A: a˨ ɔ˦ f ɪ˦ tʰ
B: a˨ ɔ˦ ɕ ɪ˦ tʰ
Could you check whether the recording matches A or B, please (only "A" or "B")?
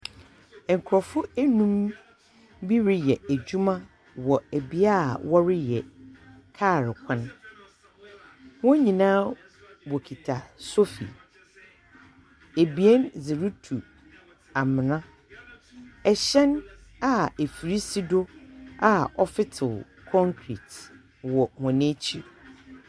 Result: A